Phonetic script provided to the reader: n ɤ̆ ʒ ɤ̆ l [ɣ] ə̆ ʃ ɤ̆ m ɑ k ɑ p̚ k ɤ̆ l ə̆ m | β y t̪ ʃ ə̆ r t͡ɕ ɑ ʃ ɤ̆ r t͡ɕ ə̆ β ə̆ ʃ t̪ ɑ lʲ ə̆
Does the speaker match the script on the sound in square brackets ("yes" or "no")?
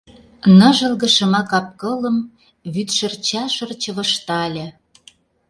yes